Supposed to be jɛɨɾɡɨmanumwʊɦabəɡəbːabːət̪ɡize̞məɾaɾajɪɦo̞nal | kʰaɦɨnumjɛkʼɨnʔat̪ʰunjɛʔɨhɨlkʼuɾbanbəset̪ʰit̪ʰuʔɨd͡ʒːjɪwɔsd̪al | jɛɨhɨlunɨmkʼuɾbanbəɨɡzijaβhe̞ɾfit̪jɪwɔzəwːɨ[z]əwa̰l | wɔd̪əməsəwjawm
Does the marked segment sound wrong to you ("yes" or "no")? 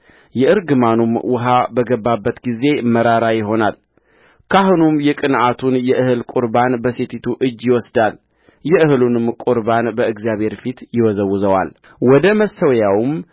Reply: no